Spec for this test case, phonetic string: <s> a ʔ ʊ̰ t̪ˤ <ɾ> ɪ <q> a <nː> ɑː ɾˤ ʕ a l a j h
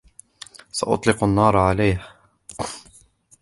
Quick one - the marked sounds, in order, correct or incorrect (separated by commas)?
correct, incorrect, correct, correct